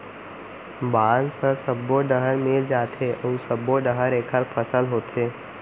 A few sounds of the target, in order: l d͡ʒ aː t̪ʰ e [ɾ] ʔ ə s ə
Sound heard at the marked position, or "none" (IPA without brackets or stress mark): none